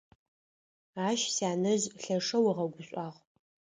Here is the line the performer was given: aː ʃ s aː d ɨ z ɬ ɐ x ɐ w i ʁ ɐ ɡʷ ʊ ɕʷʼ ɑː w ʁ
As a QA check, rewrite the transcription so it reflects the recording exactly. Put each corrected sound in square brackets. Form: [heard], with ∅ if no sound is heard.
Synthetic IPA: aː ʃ s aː [n] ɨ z ɬ ɐ [ʂ] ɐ w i ʁ ɐ ɡʷ ʊ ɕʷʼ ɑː [∅] ʁ